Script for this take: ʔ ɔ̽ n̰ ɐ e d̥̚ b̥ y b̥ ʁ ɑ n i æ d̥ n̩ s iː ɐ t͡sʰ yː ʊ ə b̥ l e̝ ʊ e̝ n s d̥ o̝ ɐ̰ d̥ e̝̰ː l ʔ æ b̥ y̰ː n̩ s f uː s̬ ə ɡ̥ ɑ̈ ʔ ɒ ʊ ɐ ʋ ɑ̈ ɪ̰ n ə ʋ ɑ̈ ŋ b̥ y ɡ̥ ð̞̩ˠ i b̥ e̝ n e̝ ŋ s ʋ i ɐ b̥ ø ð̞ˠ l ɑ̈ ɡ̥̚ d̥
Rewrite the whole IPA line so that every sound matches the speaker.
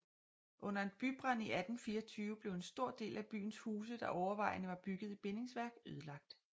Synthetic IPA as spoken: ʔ ɔ̽ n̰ ɐ e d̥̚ b̥ y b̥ ʁ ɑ n i æ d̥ n̩ f iː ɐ t͡sʰ yː ʊ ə b̥ l e̝ ʊ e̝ n s d̥ o̝ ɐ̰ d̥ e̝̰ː l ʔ æ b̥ y̰ː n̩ s h uː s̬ ə d̥ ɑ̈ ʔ ɒ ʊ ɐ ʋ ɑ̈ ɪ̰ n ə ʋ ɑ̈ b̥ y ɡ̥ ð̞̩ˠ i b̥ e̝ n e̝ ŋ s ʋ æ ɐ ɡ̥ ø ð̞ˠ l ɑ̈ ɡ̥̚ d̥